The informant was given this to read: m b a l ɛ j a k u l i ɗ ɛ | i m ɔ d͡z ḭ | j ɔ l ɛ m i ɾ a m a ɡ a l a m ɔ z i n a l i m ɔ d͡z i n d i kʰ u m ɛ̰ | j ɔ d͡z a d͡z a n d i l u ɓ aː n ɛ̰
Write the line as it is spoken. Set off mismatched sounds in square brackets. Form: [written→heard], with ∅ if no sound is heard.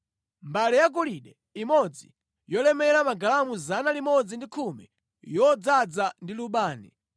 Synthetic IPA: m b a l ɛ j a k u l i ɗ ɛ | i m ɔ d͡z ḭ | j ɔ l ɛ m [i→ɛ] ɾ a m a ɡ a l a m [ɔ→u] z [i→a] n a l i m ɔ d͡z i n d i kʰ u m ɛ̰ | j ɔ d͡z a d͡z a n d i l u ɓ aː n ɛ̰